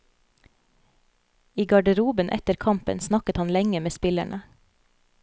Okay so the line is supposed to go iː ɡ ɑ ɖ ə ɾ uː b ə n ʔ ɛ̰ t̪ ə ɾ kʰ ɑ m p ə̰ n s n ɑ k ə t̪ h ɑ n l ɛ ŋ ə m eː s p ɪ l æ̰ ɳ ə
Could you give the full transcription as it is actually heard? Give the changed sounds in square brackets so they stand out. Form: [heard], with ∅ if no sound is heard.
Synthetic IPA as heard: iː ɡ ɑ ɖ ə ɾ uː b ə n ʔ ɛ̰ t̪ ə ɾ kʰ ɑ m p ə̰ n s n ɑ k ə t̪ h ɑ n l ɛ ŋ ə m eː s p ɪ l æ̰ ɳ ə

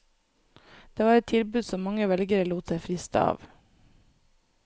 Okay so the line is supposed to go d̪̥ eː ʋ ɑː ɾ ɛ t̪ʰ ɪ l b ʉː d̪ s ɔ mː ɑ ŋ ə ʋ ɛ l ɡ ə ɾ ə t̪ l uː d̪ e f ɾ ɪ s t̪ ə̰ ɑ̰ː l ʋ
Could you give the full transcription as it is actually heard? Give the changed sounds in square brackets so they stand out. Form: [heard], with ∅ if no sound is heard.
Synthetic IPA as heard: d̪̥ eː ʋ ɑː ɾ ɛ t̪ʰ ɪ l b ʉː d̪ s ɔ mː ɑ ŋ ə ʋ ɛ l ɡ ə ɾ ə [∅] l uː [t̪] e f ɾ ɪ s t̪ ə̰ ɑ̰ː [∅] ʋ

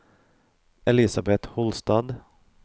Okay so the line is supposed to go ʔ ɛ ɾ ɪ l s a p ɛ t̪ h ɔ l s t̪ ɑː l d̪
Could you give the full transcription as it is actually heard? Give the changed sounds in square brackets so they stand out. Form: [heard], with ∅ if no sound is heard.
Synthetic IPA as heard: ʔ ɛ [l] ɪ [∅] s a [b] ɛ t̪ h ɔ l s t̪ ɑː [∅] d̪

